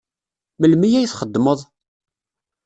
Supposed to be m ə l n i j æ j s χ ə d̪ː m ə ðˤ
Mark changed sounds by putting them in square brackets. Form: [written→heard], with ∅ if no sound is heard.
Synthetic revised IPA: m ə l [n→m] i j æ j [s→θ] χ ə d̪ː m ə ðˤ